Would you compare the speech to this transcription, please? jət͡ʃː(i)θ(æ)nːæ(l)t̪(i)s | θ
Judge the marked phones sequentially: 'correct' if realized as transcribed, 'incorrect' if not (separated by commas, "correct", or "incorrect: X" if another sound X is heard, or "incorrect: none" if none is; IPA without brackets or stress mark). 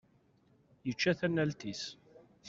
incorrect: æ, correct, correct, correct